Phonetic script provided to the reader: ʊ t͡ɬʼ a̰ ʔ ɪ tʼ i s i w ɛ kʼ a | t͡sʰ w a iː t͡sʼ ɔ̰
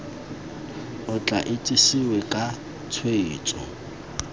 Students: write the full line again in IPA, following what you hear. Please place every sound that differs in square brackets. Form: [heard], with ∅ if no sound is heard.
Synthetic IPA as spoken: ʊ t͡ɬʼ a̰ ʔ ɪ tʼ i s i w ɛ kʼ a | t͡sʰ w [e] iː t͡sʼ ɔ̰